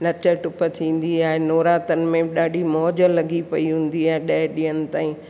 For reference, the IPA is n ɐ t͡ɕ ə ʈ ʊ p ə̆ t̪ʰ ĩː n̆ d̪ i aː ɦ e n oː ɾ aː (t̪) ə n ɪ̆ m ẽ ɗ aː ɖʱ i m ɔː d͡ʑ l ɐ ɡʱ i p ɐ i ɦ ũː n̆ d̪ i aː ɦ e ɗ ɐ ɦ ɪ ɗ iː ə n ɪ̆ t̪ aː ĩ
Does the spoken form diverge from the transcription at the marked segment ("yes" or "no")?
no